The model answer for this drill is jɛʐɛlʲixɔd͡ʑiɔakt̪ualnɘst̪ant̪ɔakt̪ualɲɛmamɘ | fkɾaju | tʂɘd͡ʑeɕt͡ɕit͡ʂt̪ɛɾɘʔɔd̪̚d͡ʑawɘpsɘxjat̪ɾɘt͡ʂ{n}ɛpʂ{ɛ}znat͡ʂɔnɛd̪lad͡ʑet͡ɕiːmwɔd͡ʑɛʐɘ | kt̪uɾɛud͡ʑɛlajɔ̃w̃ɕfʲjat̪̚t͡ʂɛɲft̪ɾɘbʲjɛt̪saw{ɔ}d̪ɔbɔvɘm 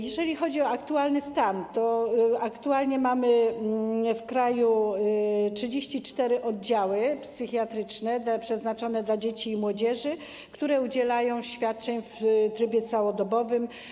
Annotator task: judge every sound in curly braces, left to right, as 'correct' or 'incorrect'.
correct, correct, correct

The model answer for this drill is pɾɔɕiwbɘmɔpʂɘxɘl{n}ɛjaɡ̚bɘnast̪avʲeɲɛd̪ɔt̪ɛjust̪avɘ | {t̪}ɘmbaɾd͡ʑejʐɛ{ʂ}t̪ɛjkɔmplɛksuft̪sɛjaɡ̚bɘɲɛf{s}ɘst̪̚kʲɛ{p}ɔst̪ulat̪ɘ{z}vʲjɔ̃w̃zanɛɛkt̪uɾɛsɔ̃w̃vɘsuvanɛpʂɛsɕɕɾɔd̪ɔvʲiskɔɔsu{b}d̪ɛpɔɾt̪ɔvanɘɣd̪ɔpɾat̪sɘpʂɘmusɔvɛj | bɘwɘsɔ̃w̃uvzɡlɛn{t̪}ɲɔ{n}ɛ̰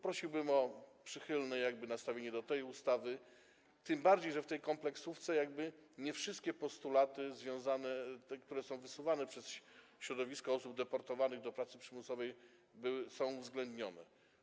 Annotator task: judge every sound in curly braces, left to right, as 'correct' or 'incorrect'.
correct, correct, incorrect: f, incorrect: ʂ, correct, correct, correct, incorrect: d̪, correct

